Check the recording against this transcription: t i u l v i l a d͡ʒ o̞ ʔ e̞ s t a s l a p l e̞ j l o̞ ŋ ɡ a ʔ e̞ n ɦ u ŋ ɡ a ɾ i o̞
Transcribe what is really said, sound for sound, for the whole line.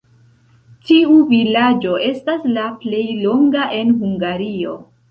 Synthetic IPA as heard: t i u v i l a d͡ʒ o̞ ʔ e̞ s t a s l a p l e̞ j l o̞ ŋ ɡ a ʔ e̞ n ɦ u ŋ ɡ a ɾ i o̞